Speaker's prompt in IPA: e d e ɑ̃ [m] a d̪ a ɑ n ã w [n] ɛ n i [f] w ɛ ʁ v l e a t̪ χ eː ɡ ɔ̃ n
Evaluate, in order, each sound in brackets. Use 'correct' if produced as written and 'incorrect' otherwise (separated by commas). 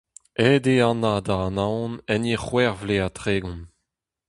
incorrect, correct, incorrect